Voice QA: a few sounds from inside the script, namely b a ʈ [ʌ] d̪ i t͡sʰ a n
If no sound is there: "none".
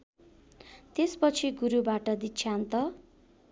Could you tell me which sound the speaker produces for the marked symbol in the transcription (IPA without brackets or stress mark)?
ʌ